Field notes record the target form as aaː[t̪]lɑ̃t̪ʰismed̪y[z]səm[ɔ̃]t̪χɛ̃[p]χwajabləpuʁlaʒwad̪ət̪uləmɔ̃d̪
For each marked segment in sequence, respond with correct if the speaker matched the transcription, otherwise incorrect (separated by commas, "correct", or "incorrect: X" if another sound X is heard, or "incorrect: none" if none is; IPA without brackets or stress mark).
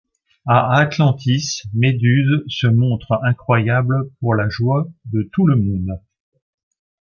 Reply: correct, correct, correct, incorrect: k